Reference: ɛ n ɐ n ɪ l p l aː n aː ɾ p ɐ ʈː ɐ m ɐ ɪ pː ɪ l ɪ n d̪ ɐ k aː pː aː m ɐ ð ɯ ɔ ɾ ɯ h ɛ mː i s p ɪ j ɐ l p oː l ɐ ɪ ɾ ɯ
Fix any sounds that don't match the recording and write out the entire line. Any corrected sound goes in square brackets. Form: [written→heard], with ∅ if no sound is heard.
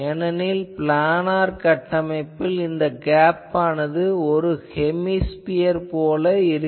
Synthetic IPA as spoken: ɛ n ɐ n ɪ l p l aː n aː ɾ [p→k] ɐ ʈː ɐ m ɐ ɪ pː ɪ l ɪ n d̪ ɐ [k→ɡ] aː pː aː [m→n] ɐ ð ɯ ɔ ɾ ɯ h ɛ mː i s p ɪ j ɐ [l→ɾ] p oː l ɐ ɪ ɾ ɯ